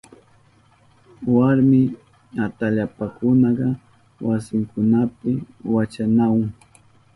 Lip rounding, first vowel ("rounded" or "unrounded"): unrounded